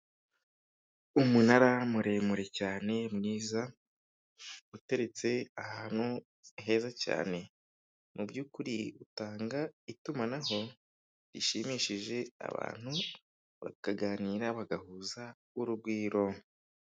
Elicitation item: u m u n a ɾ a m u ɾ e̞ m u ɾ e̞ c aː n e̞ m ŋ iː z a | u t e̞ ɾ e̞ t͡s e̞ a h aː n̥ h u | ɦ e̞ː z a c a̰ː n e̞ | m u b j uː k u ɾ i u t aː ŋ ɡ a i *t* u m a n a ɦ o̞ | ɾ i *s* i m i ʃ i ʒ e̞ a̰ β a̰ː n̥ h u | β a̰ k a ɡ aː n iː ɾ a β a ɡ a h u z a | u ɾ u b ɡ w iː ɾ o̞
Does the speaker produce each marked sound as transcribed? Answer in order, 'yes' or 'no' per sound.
yes, no

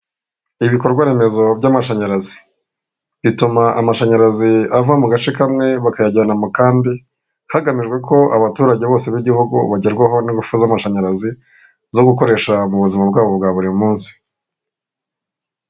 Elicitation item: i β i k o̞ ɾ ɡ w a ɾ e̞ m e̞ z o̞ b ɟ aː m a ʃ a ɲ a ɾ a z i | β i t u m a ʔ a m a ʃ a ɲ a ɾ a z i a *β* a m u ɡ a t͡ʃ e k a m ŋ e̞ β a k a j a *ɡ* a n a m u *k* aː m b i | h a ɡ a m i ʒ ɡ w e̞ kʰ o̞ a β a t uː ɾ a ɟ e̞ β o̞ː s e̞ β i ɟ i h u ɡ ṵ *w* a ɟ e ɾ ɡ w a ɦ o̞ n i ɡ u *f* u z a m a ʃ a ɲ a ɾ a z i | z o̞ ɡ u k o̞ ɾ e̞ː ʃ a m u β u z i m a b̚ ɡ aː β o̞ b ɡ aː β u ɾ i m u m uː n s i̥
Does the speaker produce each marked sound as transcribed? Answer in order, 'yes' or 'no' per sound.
no, no, yes, no, yes

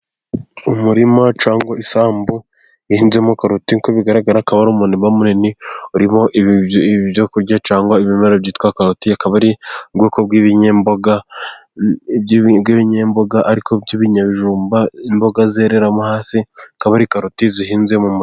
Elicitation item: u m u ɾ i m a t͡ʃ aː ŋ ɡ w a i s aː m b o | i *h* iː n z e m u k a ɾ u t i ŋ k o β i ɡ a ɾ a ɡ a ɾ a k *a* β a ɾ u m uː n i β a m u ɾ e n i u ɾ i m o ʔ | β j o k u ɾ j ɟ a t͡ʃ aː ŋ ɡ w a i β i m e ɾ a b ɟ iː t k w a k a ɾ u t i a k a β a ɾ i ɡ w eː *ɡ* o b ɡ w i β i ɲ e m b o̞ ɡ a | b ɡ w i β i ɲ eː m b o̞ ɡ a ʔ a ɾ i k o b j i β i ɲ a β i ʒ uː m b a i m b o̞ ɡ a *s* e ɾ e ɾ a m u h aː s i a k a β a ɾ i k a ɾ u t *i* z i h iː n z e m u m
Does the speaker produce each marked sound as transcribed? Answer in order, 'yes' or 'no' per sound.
yes, yes, no, no, yes

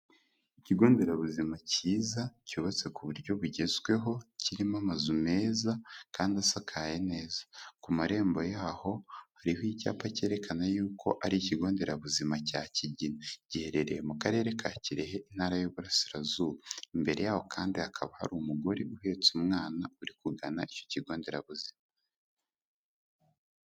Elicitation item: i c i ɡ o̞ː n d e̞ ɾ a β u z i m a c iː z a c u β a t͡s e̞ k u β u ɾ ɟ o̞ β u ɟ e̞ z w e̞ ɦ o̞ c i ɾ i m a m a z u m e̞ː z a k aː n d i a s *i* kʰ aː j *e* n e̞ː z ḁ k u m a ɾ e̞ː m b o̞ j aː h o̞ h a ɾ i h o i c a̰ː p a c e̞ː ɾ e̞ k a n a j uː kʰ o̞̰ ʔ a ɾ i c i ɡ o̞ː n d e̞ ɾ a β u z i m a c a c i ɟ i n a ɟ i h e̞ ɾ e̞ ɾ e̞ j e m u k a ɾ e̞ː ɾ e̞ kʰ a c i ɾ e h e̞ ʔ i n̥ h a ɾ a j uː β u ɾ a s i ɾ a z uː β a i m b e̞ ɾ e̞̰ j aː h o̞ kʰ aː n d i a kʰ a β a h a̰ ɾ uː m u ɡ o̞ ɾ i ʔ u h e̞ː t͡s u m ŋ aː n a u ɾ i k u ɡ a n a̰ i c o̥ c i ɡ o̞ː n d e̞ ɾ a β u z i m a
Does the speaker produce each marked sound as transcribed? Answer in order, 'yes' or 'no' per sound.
no, yes

